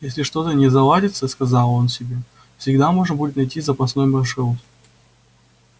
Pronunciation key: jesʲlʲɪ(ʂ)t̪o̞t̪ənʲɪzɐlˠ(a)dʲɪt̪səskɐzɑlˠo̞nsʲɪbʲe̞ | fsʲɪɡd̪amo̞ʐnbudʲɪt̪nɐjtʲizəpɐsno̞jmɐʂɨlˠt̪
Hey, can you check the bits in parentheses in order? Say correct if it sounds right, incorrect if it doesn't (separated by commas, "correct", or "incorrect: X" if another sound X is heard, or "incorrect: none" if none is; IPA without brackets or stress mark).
correct, correct